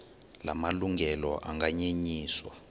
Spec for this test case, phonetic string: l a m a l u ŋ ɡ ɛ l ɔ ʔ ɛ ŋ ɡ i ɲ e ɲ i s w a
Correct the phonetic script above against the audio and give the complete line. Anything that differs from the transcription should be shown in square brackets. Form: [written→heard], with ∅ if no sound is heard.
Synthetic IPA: l a m a l u ŋ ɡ ɛ l ɔ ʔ [ɛ→a] ŋ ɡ [i→a] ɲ e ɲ [i→iː] s w a